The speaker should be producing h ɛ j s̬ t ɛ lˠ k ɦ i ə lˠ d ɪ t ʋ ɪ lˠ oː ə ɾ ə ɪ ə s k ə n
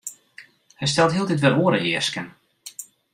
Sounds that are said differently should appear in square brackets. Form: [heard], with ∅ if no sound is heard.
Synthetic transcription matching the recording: h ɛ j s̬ t ɛ lˠ [t] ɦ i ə lˠ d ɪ t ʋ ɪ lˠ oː ə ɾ ə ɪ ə s k ə n